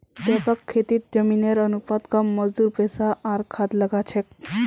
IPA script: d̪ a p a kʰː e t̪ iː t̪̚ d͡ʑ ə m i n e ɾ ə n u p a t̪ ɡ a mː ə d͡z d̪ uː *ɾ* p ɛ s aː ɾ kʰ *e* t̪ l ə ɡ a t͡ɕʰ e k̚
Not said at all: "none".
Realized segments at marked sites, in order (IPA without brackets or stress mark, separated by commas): ɾ, a